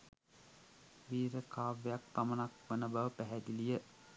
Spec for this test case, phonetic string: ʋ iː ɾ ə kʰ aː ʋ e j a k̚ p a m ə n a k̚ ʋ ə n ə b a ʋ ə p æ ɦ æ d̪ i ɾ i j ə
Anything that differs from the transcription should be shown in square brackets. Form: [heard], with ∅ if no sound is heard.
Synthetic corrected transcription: ʋ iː ɾ ə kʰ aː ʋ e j a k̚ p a m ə n a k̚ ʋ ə n ə b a ʋ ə p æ ɦ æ d̪ i [l] i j ə